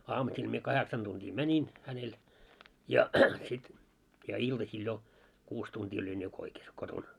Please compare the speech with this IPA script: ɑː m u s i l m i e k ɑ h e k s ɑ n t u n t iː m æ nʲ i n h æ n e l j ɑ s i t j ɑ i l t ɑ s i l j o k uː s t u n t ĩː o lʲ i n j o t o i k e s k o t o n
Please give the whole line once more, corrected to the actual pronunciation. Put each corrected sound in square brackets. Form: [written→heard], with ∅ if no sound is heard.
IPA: ɑː m u s i l m i e k ɑ h e k s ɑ n t u n t iː m æ nʲ i n h æ n e l j ɑ s i t j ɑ i l t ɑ s i l j o k uː s t u n t [ĩː→iː] o lʲ i n j o [t→k] o i k e s k o t o n